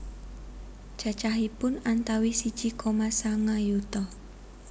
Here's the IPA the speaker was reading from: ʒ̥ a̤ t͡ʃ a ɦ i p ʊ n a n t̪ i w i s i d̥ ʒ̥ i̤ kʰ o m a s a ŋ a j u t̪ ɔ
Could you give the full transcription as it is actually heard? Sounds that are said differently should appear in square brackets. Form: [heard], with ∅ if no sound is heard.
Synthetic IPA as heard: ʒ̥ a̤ t͡ʃ a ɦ i p ʊ n a n t̪ [a] w i s i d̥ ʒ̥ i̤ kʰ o m a s a ŋ a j u t̪ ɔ